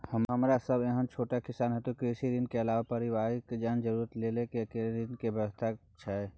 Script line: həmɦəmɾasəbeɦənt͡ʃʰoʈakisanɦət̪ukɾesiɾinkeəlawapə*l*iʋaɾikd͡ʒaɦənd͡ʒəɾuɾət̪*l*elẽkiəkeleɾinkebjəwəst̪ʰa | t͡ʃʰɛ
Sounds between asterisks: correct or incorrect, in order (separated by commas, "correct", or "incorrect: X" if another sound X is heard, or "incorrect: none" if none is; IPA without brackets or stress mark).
incorrect: ɾ, correct